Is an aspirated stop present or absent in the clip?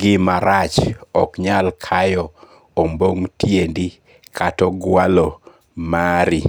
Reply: present